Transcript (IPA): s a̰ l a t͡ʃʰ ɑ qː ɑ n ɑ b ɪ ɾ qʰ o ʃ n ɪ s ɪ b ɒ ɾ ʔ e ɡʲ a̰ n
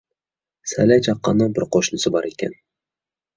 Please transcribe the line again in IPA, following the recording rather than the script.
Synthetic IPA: s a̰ l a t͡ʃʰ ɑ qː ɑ n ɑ b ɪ ɾ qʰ o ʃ n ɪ s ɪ b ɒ ɾ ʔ e kʲ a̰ n